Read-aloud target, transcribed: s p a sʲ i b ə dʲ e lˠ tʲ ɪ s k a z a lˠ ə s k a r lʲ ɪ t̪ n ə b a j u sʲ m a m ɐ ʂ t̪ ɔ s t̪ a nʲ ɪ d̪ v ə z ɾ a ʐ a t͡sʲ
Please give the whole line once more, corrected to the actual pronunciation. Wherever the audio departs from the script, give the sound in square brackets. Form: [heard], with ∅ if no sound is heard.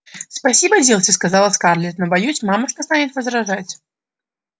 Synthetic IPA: s p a sʲ i b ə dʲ e lˠ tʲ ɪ s k a z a lˠ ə s k a r lʲ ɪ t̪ n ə b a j u sʲ m a m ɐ ʂ t̪ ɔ s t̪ a nʲ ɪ [t̪] v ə z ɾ a ʐ a t͡sʲ